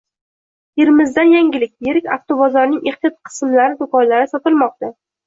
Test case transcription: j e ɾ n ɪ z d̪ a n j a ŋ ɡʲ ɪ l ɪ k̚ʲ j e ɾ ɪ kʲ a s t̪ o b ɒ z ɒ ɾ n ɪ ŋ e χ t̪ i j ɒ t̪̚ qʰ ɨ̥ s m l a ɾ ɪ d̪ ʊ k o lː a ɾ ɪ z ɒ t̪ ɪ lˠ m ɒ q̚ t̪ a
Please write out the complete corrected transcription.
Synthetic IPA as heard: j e ɾ m ɪ z d̪ a n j a ŋ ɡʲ ɪ l ɪ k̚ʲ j e ɾ ɪ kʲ a f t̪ o b ɒ z ɒ ɾ n ɪ ŋ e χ t̪ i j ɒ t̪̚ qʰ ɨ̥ s m l a ɾ ɪ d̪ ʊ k ɒ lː a ɾ ɪ s ɒ t̪ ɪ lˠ m ɒ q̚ t̪ a